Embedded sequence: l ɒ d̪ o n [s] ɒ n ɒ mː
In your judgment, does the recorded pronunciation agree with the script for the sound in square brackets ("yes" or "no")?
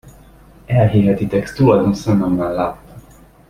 yes